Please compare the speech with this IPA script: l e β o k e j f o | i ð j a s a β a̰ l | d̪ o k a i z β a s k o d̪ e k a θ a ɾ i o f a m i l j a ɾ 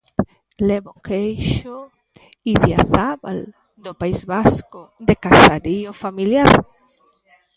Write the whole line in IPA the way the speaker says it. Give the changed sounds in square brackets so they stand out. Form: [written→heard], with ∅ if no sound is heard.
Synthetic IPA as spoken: l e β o k e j [f→ʃ] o | i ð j a [s→θ] a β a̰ l | d̪ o [k→p] a i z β a s k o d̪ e k a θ a ɾ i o f a m i l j a ɾ